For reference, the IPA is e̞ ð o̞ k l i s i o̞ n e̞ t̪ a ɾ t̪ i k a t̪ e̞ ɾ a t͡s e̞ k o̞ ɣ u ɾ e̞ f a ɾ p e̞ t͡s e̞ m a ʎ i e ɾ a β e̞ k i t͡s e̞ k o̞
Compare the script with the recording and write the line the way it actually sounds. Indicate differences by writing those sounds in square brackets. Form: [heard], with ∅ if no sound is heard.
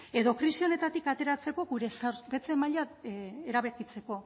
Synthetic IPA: e̞ ð o̞ k [ɾ] i s i o̞ n e̞ t̪ a [∅] t̪ i k a t̪ e̞ ɾ a t͡s e̞ k o̞ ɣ u ɾ e̞ [s] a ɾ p e̞ t͡s e̞ m a ʎ [a] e ɾ a β e̞ k i t͡s e̞ k o̞